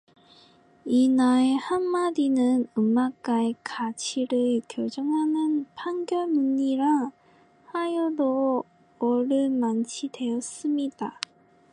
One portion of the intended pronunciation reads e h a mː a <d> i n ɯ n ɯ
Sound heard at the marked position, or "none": d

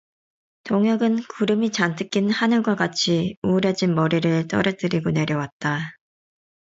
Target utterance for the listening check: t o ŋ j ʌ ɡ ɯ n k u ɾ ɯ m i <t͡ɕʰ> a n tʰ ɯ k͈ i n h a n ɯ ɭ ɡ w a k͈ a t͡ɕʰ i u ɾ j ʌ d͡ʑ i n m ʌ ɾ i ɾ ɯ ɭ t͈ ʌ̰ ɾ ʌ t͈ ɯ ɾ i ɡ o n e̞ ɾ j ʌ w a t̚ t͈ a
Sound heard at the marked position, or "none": t͡ɕ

